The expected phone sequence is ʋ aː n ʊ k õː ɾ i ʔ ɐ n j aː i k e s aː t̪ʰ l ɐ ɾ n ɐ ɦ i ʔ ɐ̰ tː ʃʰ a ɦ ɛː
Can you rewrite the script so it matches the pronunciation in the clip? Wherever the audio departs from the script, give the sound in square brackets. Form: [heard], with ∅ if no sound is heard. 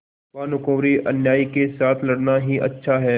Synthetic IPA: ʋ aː n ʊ k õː ɾ i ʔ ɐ n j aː i k e s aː t̪ʰ l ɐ [ɽ] n [a] ɦ i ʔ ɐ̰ tː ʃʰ a ɦ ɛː